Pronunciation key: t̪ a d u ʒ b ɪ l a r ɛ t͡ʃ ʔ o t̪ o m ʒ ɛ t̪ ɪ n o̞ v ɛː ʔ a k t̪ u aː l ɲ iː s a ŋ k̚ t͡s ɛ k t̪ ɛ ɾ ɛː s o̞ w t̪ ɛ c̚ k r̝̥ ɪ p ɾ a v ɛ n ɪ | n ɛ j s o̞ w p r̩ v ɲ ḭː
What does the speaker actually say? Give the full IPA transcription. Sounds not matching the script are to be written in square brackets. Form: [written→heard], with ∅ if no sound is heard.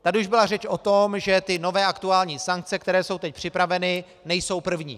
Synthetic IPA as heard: t̪ a d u ʒ b ɪ l a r ɛ t͡ʃ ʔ o t̪ o m ʒ ɛ t̪ ɪ n o̞ v ɛː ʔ a k t̪ u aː l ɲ iː s a ŋ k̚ t͡s ɛ k t̪ ɛ ɾ ɛː s o̞ w t̪ ɛ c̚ [k→p] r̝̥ ɪ p ɾ a v ɛ n ɪ | n ɛ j s o̞ w p r̩ v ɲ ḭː

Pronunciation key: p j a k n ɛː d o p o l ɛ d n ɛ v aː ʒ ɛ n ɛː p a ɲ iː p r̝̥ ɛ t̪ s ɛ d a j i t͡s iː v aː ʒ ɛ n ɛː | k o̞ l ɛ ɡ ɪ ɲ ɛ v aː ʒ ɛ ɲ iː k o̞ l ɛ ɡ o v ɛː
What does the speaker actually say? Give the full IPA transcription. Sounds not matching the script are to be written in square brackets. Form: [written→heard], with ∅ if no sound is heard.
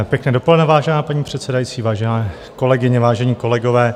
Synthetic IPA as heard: p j [a→ɛ] k n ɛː d o p o l ɛ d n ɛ v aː ʒ ɛ n [ɛː→aː] p a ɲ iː p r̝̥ ɛ t̪ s ɛ d a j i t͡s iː v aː ʒ ɛ n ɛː | k o̞ l ɛ ɡ ɪ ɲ ɛ v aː ʒ ɛ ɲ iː k o̞ l ɛ ɡ o v ɛː

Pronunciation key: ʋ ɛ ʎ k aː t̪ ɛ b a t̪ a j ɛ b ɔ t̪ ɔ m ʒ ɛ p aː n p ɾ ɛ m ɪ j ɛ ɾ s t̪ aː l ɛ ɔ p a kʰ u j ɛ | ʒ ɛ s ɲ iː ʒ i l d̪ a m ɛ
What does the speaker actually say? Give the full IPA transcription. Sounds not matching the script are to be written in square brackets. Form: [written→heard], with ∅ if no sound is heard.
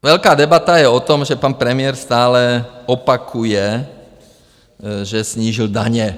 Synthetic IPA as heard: ʋ ɛ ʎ k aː [t̪→d̪] ɛ b a t̪ a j ɛ [b→∅] ɔ t̪ ɔ m ʒ ɛ p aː n p ɾ ɛ m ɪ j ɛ ɾ s t̪ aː l ɛ ɔ p a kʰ u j ɛ | ʒ ɛ s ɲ iː ʒ i l d̪ a [m→ɲ] ɛ

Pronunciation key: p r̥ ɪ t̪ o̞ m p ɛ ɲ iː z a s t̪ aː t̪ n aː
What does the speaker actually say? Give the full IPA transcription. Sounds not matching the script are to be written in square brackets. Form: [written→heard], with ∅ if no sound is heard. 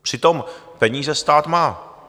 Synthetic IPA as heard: p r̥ ɪ t̪ o̞ m p ɛ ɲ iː z [a→ɛ] s t̪ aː t̪ [n→m] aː

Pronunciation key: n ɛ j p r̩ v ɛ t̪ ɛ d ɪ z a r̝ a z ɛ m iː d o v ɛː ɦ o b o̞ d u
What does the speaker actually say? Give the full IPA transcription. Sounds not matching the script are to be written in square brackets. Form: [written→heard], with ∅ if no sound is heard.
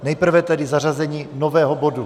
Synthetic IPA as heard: n ɛ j p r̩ v ɛ t̪ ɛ d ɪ z a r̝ a z ɛ [m→ɲ] iː [d→n] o v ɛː ɦ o b o̞ d u

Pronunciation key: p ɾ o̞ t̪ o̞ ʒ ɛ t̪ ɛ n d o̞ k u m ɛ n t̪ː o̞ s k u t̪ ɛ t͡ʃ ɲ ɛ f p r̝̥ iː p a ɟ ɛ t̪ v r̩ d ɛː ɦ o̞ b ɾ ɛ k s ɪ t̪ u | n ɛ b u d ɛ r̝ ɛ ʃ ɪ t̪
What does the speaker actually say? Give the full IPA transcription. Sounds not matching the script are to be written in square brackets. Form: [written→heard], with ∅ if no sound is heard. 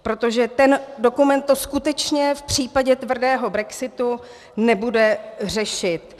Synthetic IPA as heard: p ɾ o̞ t̪ o̞ ʒ ɛ t̪ ɛ n d o̞ k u m ɛ n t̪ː o̞ s k u t̪ ɛ t͡ʃ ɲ ɛ f p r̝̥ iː p a ɟ ɛ t̪ v r̩ d ɛː ɦ o̞ b ɾ ɛ k s ɪ t̪ u | n ɛ b u d ɛ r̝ ɛ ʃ ɪ t̪

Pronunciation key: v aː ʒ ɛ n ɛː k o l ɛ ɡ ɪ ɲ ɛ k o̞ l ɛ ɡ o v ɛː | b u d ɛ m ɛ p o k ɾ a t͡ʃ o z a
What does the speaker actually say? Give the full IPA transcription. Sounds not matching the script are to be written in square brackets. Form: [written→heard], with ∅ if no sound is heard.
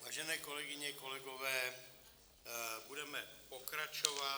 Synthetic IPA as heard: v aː ʒ ɛ n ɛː k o l ɛ ɡ ɪ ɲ ɛ k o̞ l ɛ ɡ o v ɛː | b u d ɛ m ɛ p o k ɾ a t͡ʃ o [z→v] a

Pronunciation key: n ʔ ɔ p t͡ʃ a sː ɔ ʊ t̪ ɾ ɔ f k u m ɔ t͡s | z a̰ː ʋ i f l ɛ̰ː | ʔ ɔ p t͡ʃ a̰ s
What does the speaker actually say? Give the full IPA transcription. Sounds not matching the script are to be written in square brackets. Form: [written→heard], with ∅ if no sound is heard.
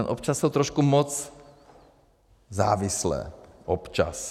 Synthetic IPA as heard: n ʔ ɔ p t͡ʃ a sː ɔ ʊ t̪ ɾ ɔ [f→ʃ] k u m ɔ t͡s | z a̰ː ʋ i [f→s] l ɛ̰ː | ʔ ɔ p t͡ʃ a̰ s

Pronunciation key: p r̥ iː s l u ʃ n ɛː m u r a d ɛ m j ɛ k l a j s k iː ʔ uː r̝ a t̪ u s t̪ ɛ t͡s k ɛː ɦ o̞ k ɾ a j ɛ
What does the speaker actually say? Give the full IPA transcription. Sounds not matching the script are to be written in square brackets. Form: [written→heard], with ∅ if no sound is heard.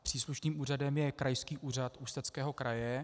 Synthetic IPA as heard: p r̥ iː s l u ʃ n [ɛː→iː] m [u→uː] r a d ɛ m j ɛ k [l→ɾ] a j s k iː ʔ uː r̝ a t̪ u s t̪ ɛ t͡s k ɛː ɦ o̞ k ɾ a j ɛ

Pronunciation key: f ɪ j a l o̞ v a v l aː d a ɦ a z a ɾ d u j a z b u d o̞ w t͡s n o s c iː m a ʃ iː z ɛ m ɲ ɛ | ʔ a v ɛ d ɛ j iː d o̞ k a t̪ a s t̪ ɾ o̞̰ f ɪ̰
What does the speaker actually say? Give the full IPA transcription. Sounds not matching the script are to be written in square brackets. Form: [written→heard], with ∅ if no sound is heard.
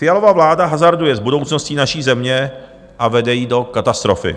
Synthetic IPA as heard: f ɪ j a l o̞ v a v l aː d a ɦ a z a ɾ d u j [a→ɛ] z b u d o̞ w t͡s n o s c iː [m→n] a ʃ iː z ɛ m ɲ ɛ | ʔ a v ɛ d ɛ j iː d o̞ k a t̪ a s t̪ ɾ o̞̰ f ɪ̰

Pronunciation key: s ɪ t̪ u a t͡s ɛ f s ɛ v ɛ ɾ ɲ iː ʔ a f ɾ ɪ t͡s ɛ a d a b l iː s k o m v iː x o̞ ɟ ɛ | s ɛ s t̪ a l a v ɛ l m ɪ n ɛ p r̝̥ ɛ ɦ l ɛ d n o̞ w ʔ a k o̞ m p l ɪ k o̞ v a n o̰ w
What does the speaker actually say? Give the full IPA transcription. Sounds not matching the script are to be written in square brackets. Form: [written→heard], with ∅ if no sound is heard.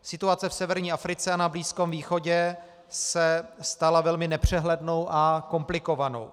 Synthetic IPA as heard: s ɪ t̪ u a t͡s ɛ f s ɛ v ɛ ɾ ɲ iː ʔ a f ɾ ɪ t͡s ɛ a [d→n] a b l iː s k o m v iː x o̞ ɟ ɛ | s ɛ s t̪ a l a v ɛ l m ɪ n ɛ p r̝̥ ɛ ɦ l ɛ d n o̞ w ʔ a k o̞ m p l ɪ k o̞ v a n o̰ w

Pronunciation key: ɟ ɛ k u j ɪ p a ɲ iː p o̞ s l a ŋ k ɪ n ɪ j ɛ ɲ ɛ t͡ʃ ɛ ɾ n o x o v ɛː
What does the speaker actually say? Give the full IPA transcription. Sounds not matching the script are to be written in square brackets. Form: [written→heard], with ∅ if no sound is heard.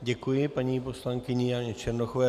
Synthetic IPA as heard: ɟ ɛ k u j ɪ p a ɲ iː p o̞ s l a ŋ k ɪ [n→ɲ] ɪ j [ɛ→a] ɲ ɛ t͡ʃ ɛ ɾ n o x o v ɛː

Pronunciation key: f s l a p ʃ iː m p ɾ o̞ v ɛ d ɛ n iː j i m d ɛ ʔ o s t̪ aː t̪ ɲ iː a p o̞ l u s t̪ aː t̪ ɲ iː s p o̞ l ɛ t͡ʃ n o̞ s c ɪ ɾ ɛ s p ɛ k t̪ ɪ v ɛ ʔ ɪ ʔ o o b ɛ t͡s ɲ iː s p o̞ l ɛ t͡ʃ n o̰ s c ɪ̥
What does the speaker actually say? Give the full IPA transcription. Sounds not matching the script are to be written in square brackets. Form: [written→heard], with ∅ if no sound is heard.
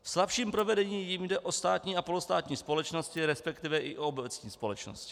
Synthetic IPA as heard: f s l a p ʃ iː m p ɾ o̞ v ɛ d ɛ [n→ɲ] iː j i m d ɛ ʔ o s t̪ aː t̪ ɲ iː a p o̞ l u s t̪ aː t̪ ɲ iː s p o̞ l ɛ t͡ʃ n o̞ s c ɪ ɾ ɛ s p ɛ k t̪ ɪ v ɛ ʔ ɪ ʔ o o b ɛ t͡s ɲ iː s p o̞ l ɛ t͡ʃ n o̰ s c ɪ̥

